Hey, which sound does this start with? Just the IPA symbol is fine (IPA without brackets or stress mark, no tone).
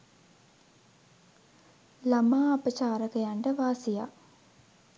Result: l